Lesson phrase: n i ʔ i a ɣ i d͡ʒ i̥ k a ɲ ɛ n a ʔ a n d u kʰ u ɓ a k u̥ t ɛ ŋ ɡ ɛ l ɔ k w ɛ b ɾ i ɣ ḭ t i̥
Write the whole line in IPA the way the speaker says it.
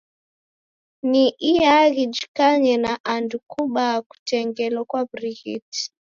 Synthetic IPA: n i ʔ i a ɣ i d͡ʒ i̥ k a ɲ ɛ n a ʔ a n d u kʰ u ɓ a k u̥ t ɛ ŋ ɡ ɛ l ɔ k w a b ɾ i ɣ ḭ t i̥